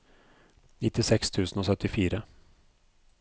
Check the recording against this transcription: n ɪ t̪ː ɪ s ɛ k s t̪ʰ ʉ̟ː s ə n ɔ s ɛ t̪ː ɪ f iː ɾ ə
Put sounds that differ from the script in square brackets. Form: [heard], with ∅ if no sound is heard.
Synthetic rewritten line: n ɪ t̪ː ɪ s ɛ k s t̪ʰ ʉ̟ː s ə n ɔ s [œ] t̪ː ɪ f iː ɾ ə